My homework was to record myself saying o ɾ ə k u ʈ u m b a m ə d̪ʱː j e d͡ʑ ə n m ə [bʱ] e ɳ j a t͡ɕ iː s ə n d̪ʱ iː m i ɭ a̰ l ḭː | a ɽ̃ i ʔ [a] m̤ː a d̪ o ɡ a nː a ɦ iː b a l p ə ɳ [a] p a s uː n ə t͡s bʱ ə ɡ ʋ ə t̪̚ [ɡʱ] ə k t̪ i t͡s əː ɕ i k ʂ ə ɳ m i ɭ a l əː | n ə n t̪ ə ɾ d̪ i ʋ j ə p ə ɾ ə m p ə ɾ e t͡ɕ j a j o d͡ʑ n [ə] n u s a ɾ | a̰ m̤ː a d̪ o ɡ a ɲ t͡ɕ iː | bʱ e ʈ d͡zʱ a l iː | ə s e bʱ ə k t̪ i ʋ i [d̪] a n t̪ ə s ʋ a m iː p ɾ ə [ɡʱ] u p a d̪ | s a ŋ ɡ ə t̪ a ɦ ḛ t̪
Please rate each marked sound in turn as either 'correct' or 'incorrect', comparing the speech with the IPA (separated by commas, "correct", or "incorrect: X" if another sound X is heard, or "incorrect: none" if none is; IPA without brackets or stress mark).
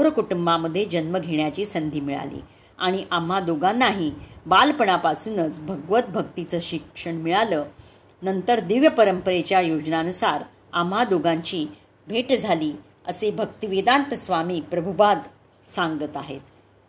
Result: incorrect: ɡʱ, correct, correct, incorrect: bʱ, incorrect: a, correct, incorrect: bʱ